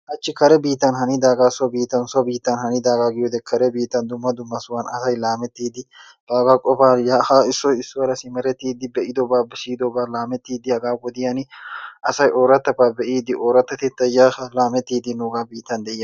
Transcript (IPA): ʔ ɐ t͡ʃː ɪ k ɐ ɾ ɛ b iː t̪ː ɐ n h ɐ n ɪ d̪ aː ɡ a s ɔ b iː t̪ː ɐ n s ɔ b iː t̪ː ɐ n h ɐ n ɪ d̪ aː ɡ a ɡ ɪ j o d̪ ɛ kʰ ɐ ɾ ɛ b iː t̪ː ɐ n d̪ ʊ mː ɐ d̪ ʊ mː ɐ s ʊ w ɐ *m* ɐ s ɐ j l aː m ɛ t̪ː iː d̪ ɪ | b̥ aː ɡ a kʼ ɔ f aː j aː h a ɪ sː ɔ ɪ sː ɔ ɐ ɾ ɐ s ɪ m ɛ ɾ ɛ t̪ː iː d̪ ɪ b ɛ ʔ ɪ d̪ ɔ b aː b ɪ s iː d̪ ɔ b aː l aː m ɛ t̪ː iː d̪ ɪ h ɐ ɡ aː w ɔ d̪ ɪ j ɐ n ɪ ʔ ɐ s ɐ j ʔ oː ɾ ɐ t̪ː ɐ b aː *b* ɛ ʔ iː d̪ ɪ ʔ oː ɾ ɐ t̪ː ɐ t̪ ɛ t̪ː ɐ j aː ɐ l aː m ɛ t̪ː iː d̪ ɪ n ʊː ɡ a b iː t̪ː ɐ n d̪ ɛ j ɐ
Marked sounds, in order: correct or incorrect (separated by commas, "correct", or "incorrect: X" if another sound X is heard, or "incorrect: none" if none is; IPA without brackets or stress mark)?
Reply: incorrect: n, correct